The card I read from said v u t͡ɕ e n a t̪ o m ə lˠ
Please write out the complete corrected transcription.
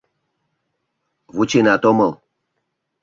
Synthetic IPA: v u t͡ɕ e n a t̪ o m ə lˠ